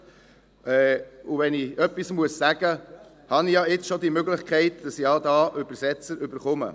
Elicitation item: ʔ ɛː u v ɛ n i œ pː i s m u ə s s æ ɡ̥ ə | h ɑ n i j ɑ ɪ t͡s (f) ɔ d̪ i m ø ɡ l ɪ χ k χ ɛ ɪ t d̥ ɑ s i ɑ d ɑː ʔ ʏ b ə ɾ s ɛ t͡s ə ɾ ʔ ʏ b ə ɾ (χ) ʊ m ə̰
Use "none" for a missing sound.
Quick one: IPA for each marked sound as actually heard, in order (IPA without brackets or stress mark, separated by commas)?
ʃ, χ